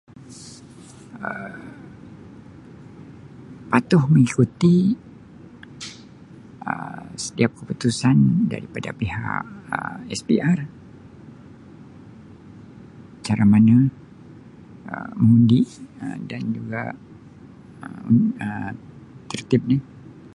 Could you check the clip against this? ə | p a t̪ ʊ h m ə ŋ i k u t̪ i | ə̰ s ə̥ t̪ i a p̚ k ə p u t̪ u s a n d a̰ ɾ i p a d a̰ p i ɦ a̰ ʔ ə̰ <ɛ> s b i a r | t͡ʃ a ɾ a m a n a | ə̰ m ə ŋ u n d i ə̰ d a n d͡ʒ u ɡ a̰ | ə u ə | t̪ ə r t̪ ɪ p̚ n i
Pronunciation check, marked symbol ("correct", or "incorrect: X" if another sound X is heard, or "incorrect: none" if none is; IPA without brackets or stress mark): correct